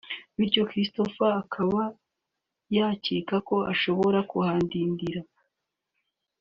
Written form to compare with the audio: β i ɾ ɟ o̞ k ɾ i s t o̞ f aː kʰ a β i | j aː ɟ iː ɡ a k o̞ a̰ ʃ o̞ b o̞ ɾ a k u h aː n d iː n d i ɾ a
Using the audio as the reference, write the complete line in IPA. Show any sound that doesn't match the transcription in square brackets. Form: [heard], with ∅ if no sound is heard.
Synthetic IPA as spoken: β i ɾ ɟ o̞ k ɾ i s t o̞ f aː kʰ a β [a] | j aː [c] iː [k] a k o̞ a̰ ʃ o̞ [β] o̞ ɾ a k u h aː n d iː n d i ɾ a